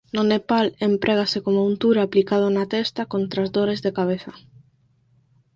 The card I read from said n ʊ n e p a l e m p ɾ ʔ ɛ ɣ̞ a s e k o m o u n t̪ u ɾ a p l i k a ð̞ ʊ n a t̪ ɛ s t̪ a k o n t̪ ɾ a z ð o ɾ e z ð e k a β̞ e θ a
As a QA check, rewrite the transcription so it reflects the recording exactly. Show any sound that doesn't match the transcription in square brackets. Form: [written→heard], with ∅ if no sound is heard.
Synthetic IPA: n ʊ n e p a l e m p ɾ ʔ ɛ ɣ̞ a s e k o m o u n t̪ u ɾ a p l i k a ð̞ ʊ n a t̪ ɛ s t̪ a k o n t̪ ɾ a z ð o ɾ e z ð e k a β̞ e θ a